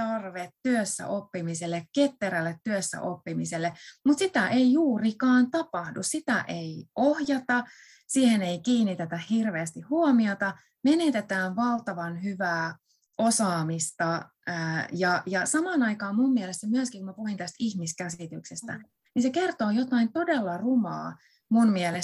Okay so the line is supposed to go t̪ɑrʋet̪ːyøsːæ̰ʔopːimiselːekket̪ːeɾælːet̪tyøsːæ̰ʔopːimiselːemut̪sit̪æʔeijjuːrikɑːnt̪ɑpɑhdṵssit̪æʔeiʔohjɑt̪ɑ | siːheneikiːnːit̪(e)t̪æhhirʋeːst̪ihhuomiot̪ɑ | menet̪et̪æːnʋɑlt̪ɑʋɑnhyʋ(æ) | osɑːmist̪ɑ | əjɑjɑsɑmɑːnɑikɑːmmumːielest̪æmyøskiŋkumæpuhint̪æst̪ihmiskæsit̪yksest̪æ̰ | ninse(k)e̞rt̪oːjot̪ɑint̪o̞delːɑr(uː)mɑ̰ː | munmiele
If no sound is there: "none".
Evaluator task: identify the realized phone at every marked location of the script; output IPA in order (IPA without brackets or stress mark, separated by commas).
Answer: e, æː, k, u